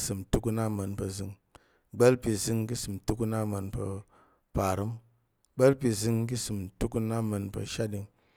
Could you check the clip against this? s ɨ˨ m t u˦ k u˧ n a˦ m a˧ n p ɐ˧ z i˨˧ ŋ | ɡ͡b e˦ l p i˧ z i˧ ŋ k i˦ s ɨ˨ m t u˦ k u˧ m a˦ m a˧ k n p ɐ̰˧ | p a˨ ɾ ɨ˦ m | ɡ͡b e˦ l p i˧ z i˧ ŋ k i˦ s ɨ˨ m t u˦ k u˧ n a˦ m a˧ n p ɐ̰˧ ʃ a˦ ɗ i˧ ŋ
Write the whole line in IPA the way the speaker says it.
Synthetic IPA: s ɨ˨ m t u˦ k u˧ n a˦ m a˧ n p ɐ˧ z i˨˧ ŋ | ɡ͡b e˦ l p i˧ z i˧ ŋ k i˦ s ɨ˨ m t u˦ k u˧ n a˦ m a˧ n p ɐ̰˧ | p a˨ ɾ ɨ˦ m | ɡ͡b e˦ l p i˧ z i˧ ŋ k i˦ s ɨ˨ m t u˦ k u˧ n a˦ m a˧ n p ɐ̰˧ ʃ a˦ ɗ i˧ ŋ